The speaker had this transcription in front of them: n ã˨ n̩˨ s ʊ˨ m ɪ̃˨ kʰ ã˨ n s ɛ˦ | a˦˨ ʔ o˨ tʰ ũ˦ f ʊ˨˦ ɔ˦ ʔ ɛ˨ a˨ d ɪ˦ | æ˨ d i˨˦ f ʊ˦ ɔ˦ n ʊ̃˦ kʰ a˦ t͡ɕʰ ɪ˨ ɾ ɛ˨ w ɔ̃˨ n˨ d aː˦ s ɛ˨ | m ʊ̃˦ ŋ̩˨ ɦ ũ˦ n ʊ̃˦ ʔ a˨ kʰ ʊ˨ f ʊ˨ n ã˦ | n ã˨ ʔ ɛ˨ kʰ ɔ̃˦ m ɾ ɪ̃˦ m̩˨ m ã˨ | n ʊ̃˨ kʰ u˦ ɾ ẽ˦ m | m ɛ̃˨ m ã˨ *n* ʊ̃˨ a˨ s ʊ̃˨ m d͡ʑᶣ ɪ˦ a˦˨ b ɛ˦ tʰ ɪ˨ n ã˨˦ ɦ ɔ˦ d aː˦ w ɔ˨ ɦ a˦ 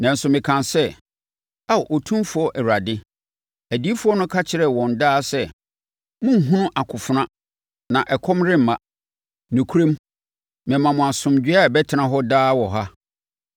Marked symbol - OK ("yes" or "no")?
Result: no